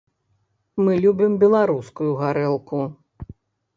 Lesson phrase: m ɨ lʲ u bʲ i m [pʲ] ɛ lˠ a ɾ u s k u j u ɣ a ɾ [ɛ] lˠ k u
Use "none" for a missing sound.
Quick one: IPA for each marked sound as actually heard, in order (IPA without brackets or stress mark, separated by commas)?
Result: bʲ, ɛ